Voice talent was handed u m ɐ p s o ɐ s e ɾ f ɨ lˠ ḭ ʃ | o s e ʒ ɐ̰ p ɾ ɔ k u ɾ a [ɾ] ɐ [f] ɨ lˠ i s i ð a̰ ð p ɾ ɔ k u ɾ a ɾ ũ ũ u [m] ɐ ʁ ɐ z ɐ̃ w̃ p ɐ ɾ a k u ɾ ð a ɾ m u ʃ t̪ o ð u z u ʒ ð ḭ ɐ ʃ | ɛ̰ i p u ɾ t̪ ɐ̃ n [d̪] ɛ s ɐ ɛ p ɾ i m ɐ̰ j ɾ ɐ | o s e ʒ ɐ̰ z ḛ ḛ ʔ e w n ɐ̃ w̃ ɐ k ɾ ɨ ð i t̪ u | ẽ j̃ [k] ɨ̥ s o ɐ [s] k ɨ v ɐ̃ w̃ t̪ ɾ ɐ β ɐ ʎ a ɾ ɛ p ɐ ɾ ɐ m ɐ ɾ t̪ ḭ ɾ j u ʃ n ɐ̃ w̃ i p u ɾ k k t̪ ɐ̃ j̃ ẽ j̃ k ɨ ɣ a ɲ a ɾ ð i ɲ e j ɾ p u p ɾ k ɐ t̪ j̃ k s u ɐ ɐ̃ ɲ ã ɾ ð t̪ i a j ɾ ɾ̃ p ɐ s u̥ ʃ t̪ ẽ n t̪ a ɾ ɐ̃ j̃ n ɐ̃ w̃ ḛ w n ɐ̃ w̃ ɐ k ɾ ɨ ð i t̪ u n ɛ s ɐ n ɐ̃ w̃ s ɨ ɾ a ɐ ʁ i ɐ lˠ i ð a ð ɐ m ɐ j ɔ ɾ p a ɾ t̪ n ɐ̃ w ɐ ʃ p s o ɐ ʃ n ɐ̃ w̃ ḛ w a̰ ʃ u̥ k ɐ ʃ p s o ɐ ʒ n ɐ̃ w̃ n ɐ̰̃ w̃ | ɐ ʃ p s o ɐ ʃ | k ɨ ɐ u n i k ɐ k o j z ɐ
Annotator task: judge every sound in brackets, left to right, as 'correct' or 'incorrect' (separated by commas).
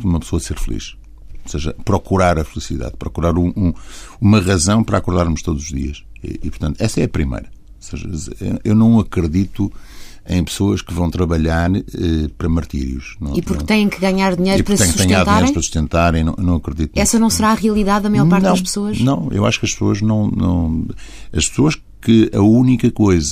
correct, correct, correct, incorrect, incorrect, incorrect